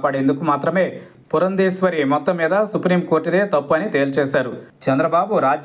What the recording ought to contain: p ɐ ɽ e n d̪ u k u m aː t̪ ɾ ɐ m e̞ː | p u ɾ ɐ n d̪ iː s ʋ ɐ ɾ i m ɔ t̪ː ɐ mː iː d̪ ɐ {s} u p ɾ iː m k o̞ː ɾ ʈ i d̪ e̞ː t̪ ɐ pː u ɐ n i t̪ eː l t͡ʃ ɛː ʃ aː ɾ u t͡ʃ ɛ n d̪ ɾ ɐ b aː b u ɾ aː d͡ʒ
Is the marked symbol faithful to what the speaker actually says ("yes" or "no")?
yes